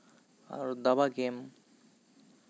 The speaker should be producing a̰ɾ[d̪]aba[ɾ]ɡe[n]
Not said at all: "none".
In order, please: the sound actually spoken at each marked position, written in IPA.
d̪, none, m

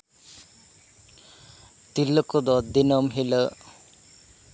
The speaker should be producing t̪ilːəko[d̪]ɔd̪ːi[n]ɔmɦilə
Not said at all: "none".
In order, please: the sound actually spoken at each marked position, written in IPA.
d̪, n

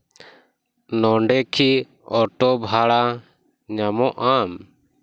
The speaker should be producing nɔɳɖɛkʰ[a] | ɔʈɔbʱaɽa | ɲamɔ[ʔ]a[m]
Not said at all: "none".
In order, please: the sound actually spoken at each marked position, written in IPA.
i, ʔ, m

